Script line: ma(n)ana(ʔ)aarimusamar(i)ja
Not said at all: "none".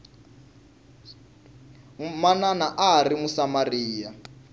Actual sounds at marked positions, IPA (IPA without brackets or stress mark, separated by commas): n, ʔ, iː